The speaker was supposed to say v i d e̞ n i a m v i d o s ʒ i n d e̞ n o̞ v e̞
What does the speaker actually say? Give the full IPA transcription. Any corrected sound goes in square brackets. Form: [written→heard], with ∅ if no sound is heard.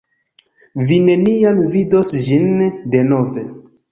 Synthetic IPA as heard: v i [d→n] e̞ n i a m v i d o s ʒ i n d e̞ n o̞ v e̞